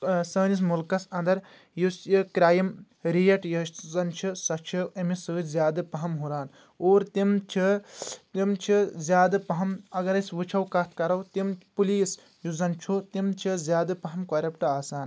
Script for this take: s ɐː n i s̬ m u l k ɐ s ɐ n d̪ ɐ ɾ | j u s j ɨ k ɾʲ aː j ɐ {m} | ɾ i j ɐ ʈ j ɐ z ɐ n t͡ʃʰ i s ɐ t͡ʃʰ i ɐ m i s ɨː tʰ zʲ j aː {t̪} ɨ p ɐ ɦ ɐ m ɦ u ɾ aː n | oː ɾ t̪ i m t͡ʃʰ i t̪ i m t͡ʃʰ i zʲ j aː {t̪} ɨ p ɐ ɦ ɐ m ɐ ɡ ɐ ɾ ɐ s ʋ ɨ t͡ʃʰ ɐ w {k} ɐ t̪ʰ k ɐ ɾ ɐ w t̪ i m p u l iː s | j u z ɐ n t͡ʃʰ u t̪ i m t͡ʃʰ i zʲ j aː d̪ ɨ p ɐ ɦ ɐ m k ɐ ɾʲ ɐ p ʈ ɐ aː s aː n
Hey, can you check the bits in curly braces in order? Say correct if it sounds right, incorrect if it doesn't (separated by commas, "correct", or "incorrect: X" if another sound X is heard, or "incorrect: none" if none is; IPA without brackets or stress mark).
correct, incorrect: d̪, incorrect: d̪, correct